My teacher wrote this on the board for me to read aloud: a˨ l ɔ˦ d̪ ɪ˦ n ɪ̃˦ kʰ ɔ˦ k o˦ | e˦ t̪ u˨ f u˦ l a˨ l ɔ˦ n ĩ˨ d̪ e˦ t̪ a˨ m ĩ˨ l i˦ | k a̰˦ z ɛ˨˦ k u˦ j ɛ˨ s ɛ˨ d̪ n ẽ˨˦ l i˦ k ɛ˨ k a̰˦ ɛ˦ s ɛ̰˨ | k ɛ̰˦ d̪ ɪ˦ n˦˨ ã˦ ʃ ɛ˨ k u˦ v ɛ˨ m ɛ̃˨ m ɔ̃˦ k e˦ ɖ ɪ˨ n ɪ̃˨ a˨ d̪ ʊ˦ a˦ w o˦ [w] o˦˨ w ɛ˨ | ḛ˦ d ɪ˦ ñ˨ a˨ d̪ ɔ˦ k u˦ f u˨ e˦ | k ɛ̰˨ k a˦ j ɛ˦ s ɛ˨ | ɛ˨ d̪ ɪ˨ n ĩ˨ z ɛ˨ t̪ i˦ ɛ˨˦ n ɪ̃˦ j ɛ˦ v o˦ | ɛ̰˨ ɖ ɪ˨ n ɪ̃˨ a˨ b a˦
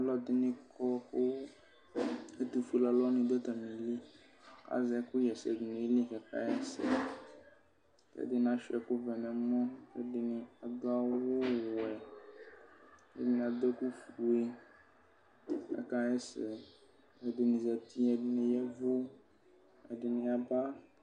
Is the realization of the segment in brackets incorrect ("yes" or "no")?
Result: no